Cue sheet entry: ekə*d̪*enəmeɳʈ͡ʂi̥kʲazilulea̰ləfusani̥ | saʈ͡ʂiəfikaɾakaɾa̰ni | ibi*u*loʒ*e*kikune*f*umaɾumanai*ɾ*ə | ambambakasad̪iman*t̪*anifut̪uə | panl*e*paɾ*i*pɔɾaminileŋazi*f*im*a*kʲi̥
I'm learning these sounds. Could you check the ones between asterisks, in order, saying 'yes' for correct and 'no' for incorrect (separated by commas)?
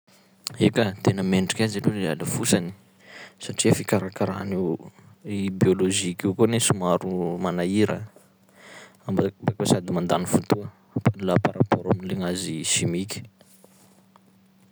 no, no, no, no, yes, no, no, no, no, no